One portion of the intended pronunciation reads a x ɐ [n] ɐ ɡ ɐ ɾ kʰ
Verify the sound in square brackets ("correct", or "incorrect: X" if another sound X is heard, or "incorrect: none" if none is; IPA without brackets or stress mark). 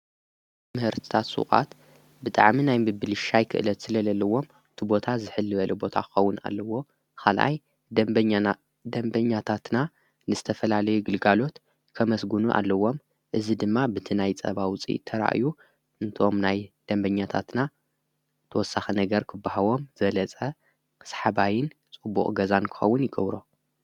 correct